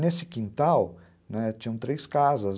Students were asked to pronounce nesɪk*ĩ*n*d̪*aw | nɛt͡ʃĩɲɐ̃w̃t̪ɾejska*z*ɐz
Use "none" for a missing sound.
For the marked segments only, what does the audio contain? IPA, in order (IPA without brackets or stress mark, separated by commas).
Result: ĩ, t̪, z